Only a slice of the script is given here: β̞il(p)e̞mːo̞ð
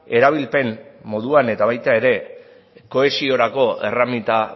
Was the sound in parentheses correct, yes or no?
yes